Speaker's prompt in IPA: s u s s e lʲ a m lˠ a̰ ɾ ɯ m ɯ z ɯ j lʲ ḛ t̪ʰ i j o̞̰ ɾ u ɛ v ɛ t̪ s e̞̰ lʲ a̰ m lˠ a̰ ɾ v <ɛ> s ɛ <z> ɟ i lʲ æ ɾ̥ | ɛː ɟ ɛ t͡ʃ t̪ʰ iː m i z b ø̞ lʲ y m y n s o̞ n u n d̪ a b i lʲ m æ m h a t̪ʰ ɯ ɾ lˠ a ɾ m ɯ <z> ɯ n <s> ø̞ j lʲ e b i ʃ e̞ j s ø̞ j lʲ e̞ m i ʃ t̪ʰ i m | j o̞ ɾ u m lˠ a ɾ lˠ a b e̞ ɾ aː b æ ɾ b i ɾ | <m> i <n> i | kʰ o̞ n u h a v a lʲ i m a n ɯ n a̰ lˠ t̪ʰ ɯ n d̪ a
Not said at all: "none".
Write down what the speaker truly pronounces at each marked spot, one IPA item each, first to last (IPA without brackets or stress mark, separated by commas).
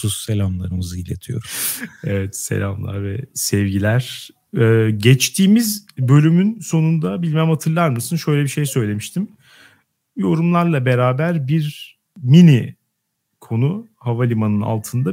ɛ, v, s, ʃ, m, n